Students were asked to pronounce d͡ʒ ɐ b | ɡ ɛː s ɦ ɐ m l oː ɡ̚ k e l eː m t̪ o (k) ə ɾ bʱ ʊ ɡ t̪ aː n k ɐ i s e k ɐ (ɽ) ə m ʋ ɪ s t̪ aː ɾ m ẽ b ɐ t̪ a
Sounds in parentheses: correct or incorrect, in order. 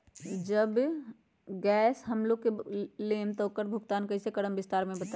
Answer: correct, correct

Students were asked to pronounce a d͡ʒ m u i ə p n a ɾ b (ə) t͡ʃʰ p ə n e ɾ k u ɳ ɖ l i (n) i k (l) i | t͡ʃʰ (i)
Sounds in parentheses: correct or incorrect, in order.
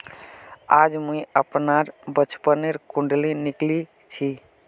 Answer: correct, correct, correct, correct

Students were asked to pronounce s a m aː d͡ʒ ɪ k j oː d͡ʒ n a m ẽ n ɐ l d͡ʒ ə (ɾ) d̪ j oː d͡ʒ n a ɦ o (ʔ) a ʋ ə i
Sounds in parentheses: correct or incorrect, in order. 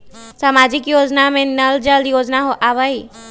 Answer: incorrect: l, correct

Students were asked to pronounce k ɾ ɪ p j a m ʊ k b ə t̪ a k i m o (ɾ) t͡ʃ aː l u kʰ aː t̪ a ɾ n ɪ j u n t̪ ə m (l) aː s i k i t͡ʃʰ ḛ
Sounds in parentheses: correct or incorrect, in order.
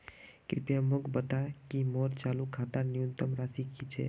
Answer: correct, incorrect: ɾ

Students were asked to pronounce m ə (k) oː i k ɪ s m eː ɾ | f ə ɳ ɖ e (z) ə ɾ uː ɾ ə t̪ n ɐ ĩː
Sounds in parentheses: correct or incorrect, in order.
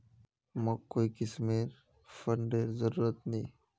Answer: correct, correct

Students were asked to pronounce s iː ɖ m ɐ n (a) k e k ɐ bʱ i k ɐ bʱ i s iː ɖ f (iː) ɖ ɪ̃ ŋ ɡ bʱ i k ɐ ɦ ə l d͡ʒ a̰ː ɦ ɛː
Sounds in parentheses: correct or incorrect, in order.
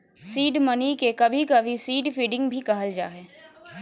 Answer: incorrect: i, correct

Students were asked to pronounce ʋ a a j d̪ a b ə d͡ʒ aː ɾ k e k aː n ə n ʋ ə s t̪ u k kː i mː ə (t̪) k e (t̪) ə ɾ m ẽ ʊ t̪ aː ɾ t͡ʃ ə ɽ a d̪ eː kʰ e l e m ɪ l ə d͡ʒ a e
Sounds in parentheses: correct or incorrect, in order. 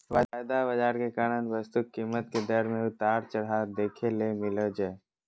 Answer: correct, incorrect: d̪

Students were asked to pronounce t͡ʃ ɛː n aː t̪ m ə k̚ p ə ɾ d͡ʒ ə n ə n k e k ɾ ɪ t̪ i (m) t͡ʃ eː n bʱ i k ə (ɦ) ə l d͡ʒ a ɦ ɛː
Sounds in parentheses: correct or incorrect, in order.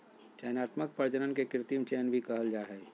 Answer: correct, correct

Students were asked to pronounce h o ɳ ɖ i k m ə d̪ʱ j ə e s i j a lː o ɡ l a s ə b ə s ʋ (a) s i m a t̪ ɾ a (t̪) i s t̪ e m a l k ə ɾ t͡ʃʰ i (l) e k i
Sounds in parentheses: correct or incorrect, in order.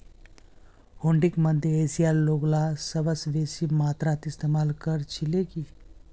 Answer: incorrect: e, correct, correct

